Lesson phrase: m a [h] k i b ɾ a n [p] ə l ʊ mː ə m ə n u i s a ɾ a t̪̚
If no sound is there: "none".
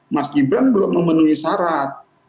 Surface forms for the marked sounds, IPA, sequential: s, b

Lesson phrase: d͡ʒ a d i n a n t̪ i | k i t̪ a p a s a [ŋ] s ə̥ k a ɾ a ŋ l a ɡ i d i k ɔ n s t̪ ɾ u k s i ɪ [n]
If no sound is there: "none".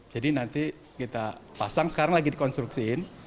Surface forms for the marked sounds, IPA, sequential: ŋ, n

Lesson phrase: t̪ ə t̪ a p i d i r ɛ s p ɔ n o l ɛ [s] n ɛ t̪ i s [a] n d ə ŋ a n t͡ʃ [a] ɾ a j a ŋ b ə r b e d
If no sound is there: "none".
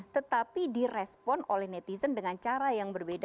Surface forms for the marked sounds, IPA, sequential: h, ə, a

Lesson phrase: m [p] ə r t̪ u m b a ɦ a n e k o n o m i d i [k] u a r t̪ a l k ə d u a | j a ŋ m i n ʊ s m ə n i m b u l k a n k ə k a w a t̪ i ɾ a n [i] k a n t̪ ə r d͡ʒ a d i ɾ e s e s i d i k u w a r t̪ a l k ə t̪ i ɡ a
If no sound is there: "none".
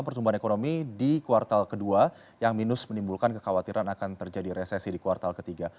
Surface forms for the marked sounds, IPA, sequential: p, k, a

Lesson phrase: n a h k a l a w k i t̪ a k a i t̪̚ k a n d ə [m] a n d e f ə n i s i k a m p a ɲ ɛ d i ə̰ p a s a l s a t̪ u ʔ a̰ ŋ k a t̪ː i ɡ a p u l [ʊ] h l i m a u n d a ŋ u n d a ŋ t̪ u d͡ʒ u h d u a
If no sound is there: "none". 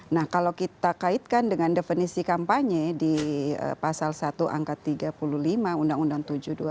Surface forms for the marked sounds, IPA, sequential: ŋ, u

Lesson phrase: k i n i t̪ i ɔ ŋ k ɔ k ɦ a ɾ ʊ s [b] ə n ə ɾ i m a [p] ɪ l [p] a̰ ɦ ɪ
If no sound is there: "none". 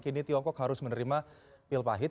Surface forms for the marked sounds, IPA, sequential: m, p, p

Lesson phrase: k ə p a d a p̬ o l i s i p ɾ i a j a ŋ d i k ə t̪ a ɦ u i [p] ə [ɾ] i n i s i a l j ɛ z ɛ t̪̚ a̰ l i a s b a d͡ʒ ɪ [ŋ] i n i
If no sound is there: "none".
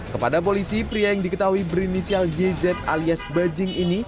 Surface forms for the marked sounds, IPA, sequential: b, ɾ, ŋ

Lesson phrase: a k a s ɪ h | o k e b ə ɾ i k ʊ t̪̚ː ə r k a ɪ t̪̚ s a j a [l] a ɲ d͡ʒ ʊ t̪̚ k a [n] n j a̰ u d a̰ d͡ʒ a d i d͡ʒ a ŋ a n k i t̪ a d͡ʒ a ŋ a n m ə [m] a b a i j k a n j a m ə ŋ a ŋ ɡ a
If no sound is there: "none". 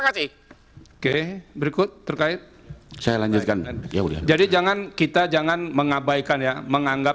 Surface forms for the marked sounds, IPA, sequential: l, n, ŋ

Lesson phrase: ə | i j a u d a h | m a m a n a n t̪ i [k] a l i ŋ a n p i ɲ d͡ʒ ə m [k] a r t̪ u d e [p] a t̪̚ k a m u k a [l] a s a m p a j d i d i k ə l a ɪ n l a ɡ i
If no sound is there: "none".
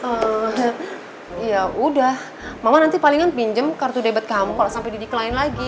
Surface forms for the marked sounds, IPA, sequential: p, k, b, l

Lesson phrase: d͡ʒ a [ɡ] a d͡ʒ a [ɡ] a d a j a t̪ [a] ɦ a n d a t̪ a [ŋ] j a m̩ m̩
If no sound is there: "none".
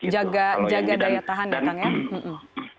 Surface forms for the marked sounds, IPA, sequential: ɡ, ɡ, a, ŋ

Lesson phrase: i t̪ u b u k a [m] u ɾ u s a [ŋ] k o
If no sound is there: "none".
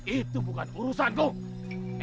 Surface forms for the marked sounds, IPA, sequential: n, n

